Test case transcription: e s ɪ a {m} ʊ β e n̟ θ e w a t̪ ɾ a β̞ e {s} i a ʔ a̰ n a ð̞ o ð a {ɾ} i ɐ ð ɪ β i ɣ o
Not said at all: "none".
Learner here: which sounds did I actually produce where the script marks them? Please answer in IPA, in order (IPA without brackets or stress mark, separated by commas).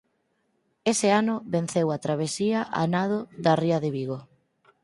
n, s, r